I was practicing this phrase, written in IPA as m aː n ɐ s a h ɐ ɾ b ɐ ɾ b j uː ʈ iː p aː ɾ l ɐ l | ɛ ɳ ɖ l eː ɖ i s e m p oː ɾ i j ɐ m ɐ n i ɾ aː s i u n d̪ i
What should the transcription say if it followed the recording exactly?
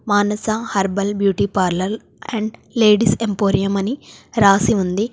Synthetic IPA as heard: m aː n ɐ s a h ɐ ɾ b ɐ l b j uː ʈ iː p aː ɾ l ɐ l | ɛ ɳ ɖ l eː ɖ i s e m p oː ɾ i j ɐ m ɐ n i ɾ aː s i u n d̪ i

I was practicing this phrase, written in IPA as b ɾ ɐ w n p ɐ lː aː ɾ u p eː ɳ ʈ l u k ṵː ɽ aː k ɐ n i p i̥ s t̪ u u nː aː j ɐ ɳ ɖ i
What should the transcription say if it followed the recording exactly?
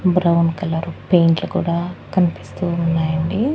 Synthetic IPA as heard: b ɾ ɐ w n k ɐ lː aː ɾ u p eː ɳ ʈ l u k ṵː ɽ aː k ɐ n i p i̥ s t̪ u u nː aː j ɐ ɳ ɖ i

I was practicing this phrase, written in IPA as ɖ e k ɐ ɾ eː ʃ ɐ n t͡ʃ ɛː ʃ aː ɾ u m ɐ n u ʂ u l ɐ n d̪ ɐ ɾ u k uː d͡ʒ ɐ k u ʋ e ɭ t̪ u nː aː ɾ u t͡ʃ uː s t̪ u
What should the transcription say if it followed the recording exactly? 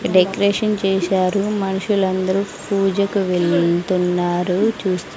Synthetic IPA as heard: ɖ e k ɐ ɾ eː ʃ ɐ n t͡ʃ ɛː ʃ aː ɾ u m ɐ n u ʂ u l ɐ n d̪ ɐ ɾ u p uː d͡ʒ ɐ k u ʋ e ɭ t̪ u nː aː ɾ u t͡ʃ uː s t̪ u

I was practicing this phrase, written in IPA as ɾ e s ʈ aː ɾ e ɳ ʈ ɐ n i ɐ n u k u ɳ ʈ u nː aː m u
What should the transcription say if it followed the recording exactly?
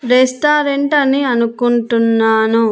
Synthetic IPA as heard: ɾ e s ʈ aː ɾ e ɳ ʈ ɐ n i ɐ n u k u ɳ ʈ u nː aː n u

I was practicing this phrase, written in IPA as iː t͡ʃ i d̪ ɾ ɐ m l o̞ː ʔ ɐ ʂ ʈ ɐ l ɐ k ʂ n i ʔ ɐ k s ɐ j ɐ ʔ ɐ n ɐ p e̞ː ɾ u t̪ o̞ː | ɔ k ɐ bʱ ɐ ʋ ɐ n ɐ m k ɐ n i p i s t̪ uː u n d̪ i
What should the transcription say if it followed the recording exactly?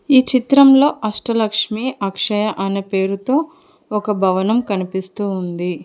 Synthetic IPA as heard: iː t͡ʃ i t̪ ɾ ɐ m l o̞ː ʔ ɐ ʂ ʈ ɐ l ɐ k ʂ m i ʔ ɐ k ʂ ɐ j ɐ ʔ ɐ n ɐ p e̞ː ɾ u t̪ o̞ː | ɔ k ɐ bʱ ɐ ʋ ɐ n ɐ m k ɐ n i p i s t̪ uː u n d̪ i

